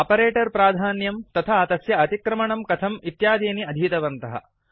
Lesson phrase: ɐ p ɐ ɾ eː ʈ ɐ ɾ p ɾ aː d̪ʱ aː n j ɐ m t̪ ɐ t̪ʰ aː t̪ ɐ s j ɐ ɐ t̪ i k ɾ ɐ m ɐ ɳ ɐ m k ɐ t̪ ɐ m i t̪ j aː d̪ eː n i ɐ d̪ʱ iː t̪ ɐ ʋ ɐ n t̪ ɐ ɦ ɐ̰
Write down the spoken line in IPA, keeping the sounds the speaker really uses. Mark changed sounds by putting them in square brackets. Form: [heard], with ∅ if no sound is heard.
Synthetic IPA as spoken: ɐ p ɐ ɾ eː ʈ ɐ ɾ p ɾ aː d̪ʱ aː n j ɐ m t̪ ɐ t̪ʰ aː t̪ ɐ s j ɐ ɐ t̪ i k ɾ ɐ m ɐ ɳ ɐ m k ɐ [t̪ʰ] ɐ m i t̪ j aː d̪ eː n i ɐ d̪ʱ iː t̪ ɐ ʋ ɐ n t̪ ɐ ɦ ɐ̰